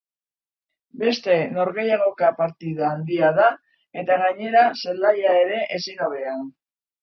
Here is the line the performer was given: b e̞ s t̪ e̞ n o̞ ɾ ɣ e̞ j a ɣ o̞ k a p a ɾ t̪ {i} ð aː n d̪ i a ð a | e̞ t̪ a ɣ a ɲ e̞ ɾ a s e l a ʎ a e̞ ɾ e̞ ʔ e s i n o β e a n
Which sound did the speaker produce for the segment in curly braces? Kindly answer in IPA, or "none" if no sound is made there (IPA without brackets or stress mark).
i